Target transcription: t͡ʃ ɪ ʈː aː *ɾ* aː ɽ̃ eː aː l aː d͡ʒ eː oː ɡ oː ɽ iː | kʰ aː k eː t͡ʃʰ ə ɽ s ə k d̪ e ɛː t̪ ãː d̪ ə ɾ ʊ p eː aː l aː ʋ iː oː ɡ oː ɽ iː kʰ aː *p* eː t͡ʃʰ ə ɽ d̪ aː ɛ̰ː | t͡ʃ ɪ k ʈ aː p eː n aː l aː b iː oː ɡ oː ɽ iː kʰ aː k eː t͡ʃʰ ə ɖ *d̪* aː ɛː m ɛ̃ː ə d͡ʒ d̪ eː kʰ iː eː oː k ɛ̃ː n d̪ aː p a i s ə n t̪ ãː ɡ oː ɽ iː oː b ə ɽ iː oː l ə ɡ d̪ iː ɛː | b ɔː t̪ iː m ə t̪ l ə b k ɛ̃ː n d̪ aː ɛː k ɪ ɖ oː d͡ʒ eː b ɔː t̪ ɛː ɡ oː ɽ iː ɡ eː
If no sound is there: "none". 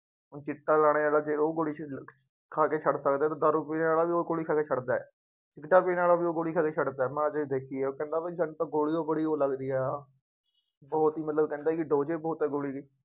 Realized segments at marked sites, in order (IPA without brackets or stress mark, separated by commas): l, k, d̪